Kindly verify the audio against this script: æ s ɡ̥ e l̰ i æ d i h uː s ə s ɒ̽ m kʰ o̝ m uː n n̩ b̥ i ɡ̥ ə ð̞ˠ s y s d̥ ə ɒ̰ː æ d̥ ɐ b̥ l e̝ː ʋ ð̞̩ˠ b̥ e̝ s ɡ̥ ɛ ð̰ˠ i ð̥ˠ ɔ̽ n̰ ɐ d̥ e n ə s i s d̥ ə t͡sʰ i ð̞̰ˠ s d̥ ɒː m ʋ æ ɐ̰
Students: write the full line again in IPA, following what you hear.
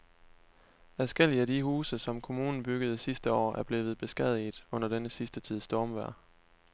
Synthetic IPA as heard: æ s ɡ̥ e l̰ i æ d i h uː s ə s ɒ̽ m kʰ o̝ m uː n n̩ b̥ y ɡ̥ ə ð̞ˠ s i s d̥ ə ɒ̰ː æ ɐ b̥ l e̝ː ʋ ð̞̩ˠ b̥ e̝ s ɡ̥ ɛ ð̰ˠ i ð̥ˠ ɔ̽ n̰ ɐ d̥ e n ə s i s d̥ ə t͡sʰ i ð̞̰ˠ s d̥ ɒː m ʋ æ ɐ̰